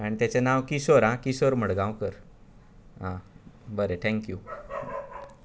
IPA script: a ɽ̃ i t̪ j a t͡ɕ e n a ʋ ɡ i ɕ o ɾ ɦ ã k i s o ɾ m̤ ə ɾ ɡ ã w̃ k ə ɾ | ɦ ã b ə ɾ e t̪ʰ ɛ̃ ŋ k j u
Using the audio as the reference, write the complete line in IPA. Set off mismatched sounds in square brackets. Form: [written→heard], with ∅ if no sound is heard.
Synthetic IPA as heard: a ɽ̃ i t̪ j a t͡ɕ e n a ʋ [ɡ→k] i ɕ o ɾ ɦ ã k i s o ɾ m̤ ə [ɾ→ɽ] ɡ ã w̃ k ə ɾ | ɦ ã b ə ɾ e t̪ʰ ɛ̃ ŋ k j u